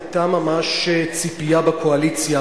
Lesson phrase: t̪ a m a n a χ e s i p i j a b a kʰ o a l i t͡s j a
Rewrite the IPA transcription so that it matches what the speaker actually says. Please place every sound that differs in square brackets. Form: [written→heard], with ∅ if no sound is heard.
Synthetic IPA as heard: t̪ a m a [n→m] a [χ→ʃ] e [s→t͡s] i p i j a b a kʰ o a l i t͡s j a